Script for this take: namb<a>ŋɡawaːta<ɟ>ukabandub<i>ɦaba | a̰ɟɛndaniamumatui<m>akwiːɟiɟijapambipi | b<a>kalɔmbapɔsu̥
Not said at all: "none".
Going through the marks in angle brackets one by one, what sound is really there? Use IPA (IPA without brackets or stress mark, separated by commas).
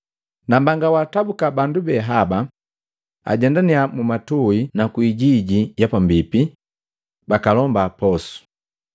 a, b, ɛ, n, a